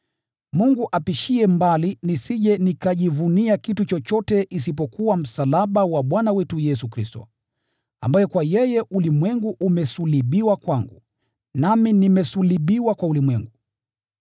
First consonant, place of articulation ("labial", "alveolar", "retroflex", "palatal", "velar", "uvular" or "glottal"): labial